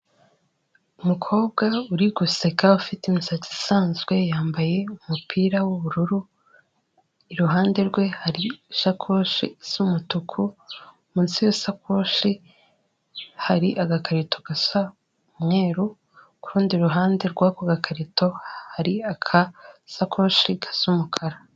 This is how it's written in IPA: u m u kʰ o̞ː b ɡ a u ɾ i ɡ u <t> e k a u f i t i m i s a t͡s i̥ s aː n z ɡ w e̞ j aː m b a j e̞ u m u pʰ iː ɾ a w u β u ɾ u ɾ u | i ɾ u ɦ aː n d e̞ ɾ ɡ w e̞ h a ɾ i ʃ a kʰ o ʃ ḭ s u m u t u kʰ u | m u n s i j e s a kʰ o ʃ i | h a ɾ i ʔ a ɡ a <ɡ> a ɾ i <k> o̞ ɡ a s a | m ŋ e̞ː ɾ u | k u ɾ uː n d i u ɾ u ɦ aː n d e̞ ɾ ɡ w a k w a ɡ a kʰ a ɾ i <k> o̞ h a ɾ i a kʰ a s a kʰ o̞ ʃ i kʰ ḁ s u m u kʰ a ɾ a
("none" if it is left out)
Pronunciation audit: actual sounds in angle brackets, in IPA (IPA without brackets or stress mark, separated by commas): s, k, t, t